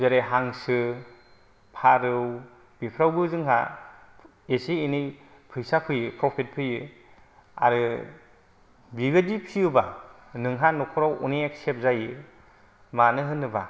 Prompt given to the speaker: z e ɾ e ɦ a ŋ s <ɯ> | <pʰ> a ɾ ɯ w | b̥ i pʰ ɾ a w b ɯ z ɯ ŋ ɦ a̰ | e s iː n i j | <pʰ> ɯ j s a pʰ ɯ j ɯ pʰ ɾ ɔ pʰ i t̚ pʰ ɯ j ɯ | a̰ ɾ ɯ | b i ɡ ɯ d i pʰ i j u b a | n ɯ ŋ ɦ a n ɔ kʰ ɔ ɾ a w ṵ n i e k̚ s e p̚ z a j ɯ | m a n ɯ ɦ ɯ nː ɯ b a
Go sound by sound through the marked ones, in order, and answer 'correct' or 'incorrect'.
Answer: correct, correct, correct

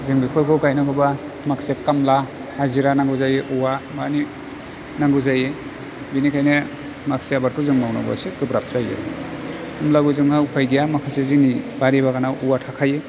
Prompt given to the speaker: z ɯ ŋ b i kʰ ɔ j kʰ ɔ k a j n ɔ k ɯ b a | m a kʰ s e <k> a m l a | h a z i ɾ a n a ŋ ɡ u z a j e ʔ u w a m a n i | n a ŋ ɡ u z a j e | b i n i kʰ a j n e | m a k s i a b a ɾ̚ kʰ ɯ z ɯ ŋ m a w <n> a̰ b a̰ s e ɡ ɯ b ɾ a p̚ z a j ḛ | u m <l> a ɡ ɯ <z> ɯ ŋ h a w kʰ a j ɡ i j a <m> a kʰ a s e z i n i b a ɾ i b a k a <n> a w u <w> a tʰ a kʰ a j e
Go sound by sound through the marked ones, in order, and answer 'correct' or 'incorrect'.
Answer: correct, correct, correct, correct, correct, correct, correct

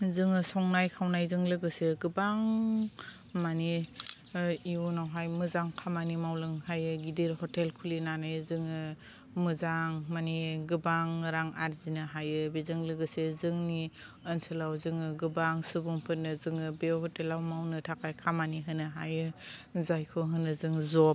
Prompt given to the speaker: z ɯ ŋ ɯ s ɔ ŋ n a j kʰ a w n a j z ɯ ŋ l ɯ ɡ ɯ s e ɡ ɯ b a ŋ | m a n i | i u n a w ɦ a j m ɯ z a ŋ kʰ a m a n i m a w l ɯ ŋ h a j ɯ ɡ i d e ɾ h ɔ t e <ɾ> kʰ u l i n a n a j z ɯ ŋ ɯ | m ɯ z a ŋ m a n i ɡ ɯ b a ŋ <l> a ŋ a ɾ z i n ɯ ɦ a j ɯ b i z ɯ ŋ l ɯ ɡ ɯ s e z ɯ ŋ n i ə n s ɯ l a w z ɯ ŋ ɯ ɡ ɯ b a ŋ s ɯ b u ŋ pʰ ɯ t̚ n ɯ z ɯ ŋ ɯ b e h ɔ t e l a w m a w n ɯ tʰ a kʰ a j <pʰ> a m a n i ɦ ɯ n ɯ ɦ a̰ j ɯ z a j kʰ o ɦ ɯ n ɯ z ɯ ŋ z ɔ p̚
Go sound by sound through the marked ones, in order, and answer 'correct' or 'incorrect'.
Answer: incorrect: l, incorrect: ɾ, incorrect: kʰ

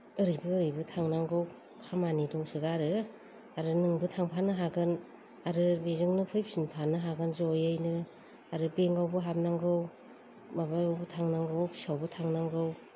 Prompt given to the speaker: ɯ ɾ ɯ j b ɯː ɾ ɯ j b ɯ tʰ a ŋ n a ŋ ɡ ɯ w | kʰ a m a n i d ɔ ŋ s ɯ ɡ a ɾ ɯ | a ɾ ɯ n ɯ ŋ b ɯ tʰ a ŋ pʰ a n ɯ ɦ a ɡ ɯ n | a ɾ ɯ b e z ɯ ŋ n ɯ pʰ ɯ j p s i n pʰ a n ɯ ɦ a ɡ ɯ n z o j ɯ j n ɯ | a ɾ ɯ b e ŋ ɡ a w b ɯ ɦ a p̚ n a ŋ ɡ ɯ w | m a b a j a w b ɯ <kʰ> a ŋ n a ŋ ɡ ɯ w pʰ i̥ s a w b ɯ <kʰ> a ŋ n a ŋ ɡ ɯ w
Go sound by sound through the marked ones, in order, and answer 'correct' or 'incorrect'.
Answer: incorrect: tʰ, incorrect: tʰ

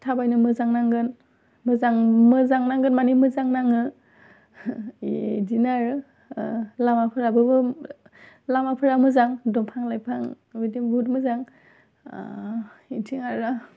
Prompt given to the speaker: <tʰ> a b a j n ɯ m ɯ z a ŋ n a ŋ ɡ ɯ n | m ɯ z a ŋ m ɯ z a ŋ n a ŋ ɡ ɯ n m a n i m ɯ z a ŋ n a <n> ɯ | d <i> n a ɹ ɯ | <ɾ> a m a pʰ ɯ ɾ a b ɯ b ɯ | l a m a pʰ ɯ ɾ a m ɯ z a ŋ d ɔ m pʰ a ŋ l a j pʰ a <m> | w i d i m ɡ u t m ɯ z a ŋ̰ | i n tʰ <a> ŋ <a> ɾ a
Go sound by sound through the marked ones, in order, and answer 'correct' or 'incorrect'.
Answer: correct, incorrect: ŋ, correct, incorrect: l, incorrect: ŋ, incorrect: i, correct

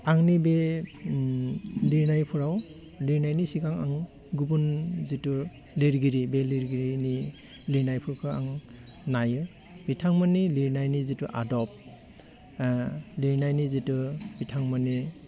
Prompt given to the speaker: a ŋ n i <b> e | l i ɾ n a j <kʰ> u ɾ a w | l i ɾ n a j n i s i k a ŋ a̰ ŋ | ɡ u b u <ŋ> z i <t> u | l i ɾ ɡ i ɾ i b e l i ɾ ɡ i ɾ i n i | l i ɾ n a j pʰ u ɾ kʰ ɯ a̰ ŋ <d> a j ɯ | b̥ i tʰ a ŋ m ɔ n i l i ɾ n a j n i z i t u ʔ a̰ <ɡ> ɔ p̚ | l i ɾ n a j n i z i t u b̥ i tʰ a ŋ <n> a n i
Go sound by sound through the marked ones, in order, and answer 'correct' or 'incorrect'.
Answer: correct, incorrect: pʰ, incorrect: n, correct, incorrect: n, incorrect: d, incorrect: m

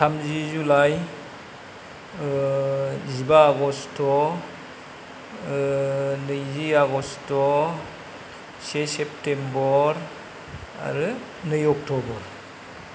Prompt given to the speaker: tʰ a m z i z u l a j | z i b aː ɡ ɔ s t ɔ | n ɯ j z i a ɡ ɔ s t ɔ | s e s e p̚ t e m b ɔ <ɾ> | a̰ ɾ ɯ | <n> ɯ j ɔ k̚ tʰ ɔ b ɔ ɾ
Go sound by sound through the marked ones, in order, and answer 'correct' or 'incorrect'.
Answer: correct, correct

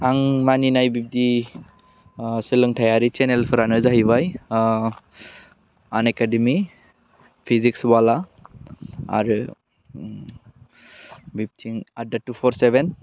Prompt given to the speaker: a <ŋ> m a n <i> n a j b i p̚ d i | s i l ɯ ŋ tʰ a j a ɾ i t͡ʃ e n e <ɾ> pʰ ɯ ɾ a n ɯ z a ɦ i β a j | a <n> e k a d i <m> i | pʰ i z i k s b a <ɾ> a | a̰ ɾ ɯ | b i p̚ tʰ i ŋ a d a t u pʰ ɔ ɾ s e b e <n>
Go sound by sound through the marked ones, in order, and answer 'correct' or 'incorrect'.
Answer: correct, correct, incorrect: l, correct, correct, incorrect: l, correct

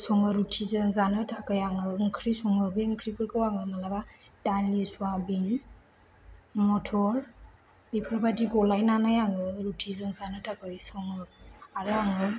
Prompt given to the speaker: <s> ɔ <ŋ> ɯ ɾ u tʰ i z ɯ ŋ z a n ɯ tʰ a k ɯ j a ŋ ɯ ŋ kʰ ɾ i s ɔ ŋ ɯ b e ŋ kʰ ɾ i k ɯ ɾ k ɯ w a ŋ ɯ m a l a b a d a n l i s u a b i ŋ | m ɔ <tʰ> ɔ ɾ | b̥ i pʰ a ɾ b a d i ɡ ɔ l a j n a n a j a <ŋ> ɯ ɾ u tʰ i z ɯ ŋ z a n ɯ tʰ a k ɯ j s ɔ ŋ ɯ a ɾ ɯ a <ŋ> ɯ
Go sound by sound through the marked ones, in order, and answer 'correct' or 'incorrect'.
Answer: correct, correct, correct, correct, correct

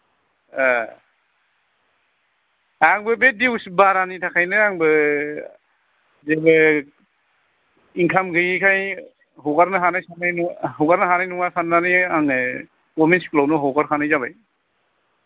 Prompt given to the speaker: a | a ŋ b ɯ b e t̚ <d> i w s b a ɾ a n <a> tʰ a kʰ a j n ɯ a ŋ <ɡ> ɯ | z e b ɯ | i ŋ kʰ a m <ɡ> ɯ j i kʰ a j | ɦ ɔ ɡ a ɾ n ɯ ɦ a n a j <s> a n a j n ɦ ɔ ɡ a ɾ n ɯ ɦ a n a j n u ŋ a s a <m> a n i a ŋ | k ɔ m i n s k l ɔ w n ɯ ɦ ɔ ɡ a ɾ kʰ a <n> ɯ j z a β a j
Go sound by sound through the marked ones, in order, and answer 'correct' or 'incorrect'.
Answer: correct, incorrect: i, incorrect: b, correct, correct, incorrect: n, correct

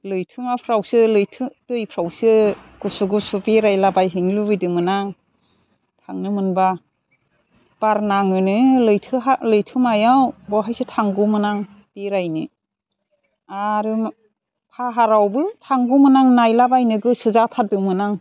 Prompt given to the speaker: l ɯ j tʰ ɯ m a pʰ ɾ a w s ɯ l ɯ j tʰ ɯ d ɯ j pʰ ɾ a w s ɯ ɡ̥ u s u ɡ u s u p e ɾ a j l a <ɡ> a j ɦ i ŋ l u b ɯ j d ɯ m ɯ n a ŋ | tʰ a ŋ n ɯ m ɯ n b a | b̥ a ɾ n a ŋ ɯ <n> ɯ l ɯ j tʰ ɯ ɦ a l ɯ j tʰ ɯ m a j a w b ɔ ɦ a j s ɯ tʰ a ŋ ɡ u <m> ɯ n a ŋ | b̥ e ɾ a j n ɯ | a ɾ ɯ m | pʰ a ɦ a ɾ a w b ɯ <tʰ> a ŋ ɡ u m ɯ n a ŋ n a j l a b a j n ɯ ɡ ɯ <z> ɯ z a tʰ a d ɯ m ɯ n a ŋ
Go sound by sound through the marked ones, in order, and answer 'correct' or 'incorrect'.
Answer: incorrect: b, correct, correct, correct, incorrect: s

